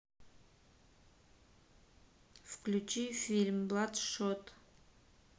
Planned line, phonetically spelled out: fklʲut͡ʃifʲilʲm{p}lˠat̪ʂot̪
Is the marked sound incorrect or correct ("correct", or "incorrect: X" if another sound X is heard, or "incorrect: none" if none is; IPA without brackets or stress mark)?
incorrect: b